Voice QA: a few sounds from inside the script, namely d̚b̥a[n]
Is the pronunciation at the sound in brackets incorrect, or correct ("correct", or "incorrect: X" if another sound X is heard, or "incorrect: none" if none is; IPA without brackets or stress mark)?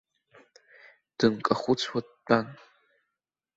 correct